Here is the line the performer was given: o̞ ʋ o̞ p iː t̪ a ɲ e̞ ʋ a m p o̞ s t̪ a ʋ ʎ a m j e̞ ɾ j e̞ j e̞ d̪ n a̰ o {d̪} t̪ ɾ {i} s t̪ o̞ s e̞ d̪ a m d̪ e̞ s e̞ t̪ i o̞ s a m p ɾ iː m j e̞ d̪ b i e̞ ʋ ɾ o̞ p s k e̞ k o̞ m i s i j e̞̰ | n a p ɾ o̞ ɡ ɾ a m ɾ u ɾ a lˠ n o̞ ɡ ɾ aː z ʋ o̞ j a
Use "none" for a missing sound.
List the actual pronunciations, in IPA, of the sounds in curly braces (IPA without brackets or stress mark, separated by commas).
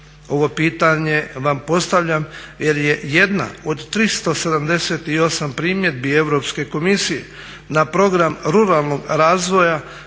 d̪, i